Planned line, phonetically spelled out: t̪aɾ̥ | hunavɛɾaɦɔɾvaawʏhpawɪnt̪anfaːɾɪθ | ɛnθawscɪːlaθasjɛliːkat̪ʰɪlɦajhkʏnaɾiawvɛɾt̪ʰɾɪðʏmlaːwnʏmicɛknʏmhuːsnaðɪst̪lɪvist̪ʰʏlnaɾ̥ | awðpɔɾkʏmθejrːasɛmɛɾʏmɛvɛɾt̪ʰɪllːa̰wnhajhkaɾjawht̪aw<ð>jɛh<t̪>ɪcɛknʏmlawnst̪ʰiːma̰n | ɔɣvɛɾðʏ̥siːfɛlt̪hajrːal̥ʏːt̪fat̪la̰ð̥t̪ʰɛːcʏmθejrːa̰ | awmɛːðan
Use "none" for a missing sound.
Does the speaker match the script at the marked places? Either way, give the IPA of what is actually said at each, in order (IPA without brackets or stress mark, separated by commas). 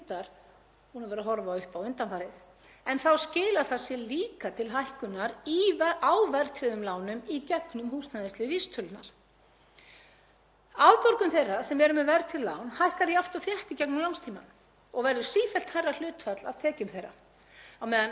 θ, t̪